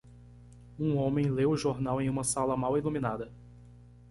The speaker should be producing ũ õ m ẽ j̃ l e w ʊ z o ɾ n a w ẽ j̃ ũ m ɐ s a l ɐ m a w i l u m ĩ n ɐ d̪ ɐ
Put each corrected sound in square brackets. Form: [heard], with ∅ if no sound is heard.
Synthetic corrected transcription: ũ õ m ẽ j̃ l e w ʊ [ʒ] o ɾ n a w ẽ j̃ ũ m ɐ s a l ɐ m a w i l u m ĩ n [a] d̪ ɐ